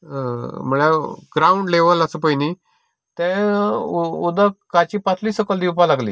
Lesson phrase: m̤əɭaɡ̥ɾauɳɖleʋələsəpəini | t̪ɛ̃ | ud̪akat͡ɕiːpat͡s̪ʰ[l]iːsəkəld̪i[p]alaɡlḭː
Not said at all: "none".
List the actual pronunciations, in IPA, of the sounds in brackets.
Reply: l, p

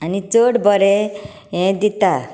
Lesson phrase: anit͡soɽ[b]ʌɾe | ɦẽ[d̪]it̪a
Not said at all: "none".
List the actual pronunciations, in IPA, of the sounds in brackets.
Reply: b, d̪

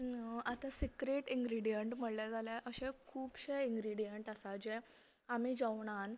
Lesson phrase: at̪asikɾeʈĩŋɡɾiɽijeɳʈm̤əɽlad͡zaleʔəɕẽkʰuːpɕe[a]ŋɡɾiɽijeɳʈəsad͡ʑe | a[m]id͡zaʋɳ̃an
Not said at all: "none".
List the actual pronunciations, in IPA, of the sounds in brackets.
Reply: i, m

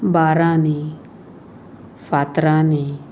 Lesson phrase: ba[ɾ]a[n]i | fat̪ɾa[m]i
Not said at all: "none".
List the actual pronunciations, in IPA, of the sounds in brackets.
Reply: ɾ, n, n

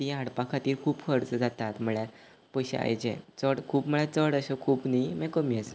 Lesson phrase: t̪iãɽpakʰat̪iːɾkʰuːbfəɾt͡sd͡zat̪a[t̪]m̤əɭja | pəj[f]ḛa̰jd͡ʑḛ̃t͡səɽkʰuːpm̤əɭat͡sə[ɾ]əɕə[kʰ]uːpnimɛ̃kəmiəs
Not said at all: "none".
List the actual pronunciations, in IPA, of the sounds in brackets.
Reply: t̪, ɕ, ɽ, kʰ

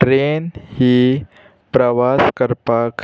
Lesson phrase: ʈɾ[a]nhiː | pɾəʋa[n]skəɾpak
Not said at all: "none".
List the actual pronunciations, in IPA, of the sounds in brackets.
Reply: e, none

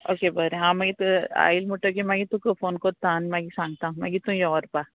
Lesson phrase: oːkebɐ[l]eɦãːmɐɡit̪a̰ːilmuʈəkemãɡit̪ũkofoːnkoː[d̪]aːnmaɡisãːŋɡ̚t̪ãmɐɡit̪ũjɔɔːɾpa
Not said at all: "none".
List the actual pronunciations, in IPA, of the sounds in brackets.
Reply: ɾ, t̪

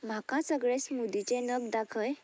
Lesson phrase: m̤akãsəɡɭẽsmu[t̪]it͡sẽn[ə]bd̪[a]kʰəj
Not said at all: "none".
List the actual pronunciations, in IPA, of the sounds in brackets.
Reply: d̪, ə, a

